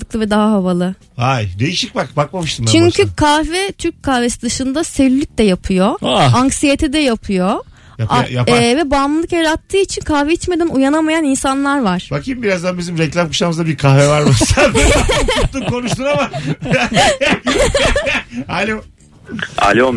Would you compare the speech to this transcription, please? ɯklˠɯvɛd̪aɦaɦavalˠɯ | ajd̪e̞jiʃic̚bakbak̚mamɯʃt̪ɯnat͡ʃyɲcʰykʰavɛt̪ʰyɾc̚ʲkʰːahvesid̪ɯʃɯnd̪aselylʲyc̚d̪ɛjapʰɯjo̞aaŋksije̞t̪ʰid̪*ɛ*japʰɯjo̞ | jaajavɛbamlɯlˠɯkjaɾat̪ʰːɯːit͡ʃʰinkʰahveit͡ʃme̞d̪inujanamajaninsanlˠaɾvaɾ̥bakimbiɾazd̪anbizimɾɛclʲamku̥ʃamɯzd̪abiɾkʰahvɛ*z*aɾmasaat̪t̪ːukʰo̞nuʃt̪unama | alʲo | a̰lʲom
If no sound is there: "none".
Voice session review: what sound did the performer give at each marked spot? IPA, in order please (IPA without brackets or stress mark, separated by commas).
ɛ, v